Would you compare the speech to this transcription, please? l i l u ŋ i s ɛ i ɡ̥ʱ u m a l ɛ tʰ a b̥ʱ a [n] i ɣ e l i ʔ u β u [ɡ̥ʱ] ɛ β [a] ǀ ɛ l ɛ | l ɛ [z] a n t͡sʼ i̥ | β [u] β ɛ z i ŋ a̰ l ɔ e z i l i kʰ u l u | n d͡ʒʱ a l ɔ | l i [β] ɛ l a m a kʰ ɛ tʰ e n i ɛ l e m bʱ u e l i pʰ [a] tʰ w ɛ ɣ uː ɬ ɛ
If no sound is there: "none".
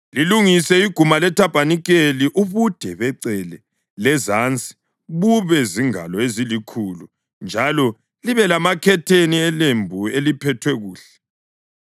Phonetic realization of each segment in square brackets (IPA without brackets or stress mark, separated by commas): n, d̥ʱ, ɛ, z, u, β, ɛ